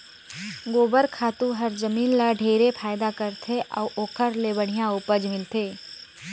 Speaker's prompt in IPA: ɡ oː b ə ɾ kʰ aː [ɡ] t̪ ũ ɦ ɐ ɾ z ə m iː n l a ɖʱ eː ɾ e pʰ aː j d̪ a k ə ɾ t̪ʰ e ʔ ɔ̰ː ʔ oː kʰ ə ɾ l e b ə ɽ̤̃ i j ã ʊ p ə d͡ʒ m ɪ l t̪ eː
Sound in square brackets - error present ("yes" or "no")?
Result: yes